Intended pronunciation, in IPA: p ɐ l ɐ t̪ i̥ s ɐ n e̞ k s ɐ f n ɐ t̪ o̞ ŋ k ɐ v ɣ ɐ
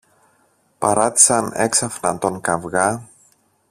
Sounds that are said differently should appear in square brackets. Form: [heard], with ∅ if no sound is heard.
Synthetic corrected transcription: p ɐ [ɾ] ɐ t̪ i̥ s ɐ n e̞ k s ɐ f n ɐ t̪ o̞ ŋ k ɐ v ɣ ɐ